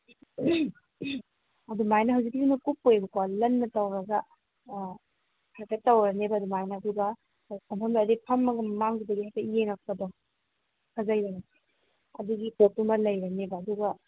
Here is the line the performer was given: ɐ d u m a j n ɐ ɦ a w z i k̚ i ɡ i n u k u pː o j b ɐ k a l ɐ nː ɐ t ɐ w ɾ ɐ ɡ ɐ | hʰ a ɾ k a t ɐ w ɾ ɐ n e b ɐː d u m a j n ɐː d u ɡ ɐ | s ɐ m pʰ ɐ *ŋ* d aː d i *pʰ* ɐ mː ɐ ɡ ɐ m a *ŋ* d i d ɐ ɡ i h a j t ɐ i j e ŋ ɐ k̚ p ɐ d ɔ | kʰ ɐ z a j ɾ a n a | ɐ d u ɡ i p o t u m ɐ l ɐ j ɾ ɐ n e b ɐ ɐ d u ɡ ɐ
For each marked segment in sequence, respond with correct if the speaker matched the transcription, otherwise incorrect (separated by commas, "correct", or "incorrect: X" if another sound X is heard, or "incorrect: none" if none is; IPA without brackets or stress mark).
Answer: incorrect: m, correct, correct